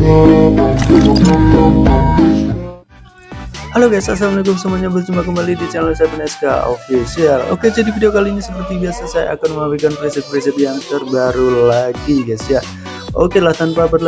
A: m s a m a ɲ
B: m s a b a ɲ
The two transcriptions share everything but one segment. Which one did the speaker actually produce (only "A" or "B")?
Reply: A